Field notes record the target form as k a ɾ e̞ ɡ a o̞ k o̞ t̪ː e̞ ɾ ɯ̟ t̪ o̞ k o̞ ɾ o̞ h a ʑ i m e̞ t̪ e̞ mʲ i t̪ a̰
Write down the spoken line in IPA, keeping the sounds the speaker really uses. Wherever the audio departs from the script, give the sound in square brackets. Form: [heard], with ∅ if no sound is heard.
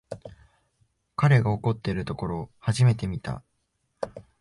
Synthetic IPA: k a ɾ e̞ ɡ a o̞ k o̞ t̪ː e̞ ɾ ɯ̟ t̪ o̞ k o̞ ɾ o̞ h a ʑ i m e̞ t̪ e̞ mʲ i t̪ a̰